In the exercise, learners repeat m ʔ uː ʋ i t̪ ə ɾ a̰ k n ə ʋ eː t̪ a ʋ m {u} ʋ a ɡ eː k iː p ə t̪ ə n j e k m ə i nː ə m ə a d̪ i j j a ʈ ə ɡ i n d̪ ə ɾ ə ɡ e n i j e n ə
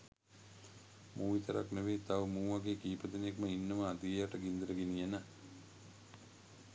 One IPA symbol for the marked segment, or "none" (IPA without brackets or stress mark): uː